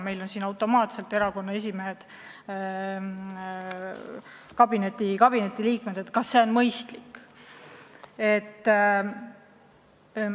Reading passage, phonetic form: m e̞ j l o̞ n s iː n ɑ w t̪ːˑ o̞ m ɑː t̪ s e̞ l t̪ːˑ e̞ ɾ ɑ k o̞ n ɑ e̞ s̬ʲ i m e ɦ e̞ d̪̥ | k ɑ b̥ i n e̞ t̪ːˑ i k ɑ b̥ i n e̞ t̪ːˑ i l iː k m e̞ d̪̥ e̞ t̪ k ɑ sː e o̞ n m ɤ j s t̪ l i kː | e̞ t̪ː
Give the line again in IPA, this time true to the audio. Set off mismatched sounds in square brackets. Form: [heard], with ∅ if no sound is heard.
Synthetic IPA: m e̞ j l o̞ n s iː n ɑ w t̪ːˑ o̞ m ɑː t̪ s e̞ l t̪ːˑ e̞ ɾ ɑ k o̞ [nː] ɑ e̞ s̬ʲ i m e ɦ e̞ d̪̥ | k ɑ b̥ i n e̞ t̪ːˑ i k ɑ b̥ i n e̞ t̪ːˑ i l iː k m e̞ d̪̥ e̞ t̪ k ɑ sː e o̞ n m ɤ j s t̪ l i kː | e̞ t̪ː